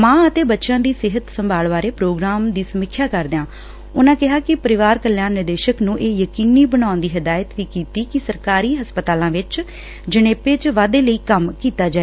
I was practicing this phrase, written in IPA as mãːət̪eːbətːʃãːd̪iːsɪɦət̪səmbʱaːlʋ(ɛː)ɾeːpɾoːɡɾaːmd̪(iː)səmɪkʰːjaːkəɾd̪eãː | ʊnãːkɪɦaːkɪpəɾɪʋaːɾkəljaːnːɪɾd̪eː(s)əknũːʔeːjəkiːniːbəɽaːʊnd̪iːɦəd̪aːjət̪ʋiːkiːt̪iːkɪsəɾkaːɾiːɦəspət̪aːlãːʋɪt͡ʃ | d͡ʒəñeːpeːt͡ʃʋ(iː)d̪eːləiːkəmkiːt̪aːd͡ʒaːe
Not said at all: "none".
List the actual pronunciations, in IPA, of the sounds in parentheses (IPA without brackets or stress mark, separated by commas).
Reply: aː, iː, ʃ, aː